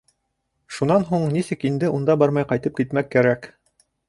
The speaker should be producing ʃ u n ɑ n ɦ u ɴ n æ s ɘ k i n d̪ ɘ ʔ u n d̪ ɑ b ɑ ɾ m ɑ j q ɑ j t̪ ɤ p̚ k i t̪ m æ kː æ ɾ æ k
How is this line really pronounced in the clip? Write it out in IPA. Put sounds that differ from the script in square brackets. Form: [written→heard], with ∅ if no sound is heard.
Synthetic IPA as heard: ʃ u n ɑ n ɦ u ɴ n [æ→i] s ɘ k i n d̪ ɘ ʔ u n d̪ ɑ b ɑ ɾ m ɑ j q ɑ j t̪ ɤ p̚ k i t̪ m æ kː æ ɾ æ k